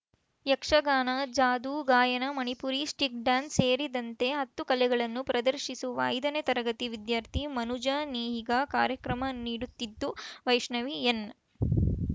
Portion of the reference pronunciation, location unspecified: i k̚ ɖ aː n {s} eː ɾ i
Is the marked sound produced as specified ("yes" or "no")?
yes